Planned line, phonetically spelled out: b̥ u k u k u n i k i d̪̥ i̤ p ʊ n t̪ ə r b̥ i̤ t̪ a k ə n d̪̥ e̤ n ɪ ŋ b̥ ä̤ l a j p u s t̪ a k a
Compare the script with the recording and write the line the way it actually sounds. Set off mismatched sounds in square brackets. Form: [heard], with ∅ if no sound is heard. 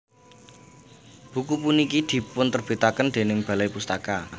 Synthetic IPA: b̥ u k u [p] u n i k i d̪̥ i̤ p ʊ n t̪ ə r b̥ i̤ t̪ a k ə n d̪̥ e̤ n ɪ ŋ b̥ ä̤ l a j p u s t̪ a k a